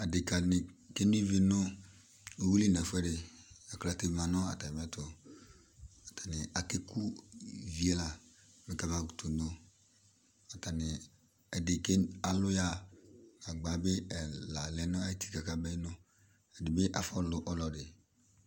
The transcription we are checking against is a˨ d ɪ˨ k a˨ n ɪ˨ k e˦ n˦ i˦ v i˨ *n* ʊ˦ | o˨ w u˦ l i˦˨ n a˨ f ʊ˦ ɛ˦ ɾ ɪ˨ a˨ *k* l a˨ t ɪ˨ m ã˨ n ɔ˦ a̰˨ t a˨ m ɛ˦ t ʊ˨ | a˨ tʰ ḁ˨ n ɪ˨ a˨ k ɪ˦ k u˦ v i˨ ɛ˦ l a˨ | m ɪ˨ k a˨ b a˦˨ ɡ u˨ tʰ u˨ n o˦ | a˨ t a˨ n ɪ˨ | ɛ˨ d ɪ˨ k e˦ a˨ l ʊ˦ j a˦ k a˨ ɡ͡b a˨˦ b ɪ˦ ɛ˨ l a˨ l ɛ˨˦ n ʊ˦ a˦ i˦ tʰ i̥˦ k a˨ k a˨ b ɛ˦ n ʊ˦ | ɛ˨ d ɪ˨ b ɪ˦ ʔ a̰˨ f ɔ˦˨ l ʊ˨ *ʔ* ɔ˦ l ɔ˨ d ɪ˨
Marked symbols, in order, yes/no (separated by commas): yes, yes, yes